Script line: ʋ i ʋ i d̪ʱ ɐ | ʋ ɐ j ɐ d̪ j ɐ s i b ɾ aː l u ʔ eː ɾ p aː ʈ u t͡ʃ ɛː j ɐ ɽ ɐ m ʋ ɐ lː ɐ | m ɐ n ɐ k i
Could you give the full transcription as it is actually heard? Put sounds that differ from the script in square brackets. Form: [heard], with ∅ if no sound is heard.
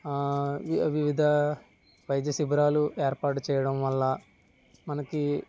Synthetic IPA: ʋ i ʋ i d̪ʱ ɐ | ʋ ɐ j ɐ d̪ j ɐ s i b ɾ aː l u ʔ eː ɾ p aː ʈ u t͡ʃ ɛː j ɐ ɽ ɐ m ʋ ɐ lː ɐ | m ɐ n ɐ k i